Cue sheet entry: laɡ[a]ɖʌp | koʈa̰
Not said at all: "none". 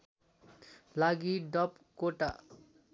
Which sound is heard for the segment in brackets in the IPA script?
i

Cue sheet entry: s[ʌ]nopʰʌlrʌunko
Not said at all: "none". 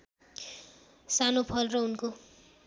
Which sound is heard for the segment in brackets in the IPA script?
a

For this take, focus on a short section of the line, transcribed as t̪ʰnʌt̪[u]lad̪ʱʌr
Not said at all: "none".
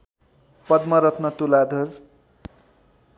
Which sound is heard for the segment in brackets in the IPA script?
u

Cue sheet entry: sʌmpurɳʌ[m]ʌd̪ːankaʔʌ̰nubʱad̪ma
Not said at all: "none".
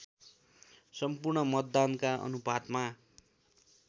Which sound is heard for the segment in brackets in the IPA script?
m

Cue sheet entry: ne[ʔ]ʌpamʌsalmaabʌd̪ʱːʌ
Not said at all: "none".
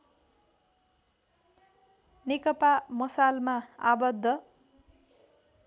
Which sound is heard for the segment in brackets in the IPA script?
k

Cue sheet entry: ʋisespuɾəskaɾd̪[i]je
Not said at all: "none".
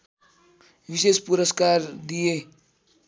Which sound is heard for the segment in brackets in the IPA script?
i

